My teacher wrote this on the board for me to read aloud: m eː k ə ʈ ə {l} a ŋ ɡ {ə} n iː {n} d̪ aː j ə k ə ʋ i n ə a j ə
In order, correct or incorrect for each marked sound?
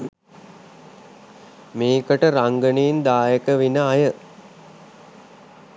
incorrect: ɾ, correct, correct

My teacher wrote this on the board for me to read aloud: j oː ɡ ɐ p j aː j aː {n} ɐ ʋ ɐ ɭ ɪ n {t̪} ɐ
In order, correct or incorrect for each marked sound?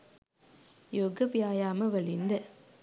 incorrect: m, incorrect: d̪

